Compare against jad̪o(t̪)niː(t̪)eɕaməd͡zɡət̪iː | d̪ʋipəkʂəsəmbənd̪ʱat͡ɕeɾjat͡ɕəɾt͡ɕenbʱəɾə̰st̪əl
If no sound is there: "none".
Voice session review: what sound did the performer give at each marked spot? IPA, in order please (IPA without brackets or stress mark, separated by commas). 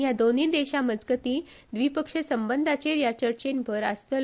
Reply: none, d̪